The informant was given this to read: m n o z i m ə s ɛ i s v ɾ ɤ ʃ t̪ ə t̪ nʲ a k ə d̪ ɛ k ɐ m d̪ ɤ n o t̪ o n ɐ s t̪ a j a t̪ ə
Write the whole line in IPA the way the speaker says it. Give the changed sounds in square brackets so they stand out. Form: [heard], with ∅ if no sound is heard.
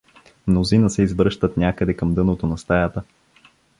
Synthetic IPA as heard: m n o z i [n] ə s ɛ i [z] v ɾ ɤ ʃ t̪ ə t̪ nʲ a k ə d̪ ɛ k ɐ m d̪ ɤ n o t̪ o n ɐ s t̪ a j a t̪ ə